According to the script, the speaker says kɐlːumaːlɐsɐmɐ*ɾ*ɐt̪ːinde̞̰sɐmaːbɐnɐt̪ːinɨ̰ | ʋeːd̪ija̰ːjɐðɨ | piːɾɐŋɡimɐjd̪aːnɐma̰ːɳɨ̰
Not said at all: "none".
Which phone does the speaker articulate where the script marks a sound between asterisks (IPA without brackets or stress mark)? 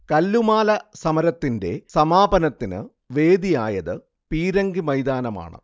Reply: ɾ